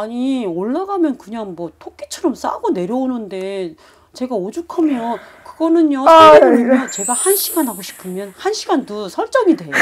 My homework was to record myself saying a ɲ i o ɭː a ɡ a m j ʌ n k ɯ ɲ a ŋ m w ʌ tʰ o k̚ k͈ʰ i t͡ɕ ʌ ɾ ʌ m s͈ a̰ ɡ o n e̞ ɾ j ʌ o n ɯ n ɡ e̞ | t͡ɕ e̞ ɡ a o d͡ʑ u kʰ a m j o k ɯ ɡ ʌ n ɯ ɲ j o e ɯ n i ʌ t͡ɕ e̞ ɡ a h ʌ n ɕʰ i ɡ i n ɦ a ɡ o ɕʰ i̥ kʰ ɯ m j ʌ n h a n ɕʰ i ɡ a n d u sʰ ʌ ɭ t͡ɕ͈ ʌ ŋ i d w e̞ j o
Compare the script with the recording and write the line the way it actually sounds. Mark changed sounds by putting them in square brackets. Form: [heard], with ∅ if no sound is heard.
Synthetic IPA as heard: a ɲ i o ɭː a ɡ a m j ʌ n k ɯ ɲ a ŋ m w ʌ tʰ o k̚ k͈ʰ i [t͡ɕʰ] ʌ ɾ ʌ m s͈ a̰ ɡ o n e̞ ɾ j ʌ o n ɯ n [d] e̞ | t͡ɕ e̞ ɡ a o d͡ʑ u kʰ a m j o k ɯ ɡ ʌ n ɯ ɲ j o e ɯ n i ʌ t͡ɕ e̞ ɡ a h [a] n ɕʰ i ɡ [a] n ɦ a ɡ o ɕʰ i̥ [pʰ] ɯ m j ʌ n h a n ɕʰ i ɡ a n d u sʰ ʌ ɭ t͡ɕ͈ ʌ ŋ i d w e̞ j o